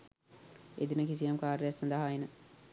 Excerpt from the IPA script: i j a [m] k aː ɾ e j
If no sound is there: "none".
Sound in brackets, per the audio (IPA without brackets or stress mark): m